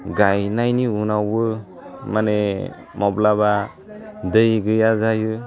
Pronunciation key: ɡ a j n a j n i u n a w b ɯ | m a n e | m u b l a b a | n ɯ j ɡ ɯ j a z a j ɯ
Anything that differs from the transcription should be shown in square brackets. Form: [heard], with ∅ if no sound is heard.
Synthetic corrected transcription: ɡ a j n a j n i u n a w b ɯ | m a n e | m [ɔ] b l a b a | [d] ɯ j ɡ ɯ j a z a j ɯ